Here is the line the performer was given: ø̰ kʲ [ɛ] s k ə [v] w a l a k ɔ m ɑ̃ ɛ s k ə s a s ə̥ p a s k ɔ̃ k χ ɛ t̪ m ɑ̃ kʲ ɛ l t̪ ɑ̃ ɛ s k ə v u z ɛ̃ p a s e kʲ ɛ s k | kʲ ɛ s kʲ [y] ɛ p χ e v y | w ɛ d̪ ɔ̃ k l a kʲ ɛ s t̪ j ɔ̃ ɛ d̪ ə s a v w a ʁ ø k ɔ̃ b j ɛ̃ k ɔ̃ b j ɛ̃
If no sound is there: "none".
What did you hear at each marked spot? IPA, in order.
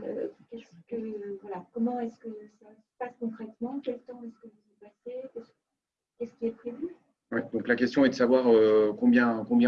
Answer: ɛ, v, i

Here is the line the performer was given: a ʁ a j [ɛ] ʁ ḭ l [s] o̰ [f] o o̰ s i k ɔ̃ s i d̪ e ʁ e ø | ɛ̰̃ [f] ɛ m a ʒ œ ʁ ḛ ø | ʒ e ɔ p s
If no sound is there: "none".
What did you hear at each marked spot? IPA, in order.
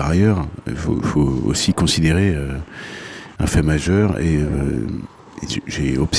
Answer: œ, f, f, f

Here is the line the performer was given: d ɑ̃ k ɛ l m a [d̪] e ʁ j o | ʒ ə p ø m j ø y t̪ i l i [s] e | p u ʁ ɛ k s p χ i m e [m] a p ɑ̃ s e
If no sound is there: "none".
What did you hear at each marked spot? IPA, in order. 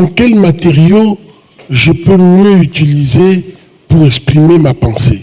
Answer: t̪, z, m

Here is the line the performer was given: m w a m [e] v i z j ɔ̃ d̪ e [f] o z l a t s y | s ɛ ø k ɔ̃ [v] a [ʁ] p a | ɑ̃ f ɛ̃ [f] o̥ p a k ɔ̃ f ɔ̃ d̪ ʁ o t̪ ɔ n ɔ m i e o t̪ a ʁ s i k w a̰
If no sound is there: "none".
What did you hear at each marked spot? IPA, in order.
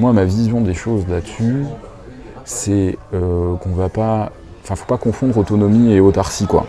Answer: a, ʃ, v, none, f

